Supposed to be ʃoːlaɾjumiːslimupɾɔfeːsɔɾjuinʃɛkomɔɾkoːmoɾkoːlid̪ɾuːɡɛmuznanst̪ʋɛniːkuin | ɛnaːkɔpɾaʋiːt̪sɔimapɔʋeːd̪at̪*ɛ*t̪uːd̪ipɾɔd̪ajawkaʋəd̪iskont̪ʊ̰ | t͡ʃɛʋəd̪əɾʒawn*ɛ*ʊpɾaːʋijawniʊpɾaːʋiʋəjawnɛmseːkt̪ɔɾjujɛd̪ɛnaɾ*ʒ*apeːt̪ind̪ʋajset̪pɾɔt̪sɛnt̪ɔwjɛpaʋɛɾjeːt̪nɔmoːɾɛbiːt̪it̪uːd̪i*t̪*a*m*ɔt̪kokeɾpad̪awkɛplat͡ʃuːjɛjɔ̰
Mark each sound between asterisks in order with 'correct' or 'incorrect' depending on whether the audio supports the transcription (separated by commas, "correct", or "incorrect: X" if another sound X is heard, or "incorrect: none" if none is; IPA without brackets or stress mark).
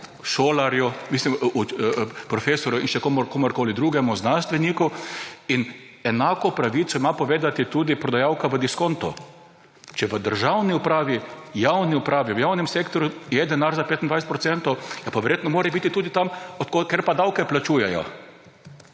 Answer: incorrect: i, incorrect: i, incorrect: z, correct, correct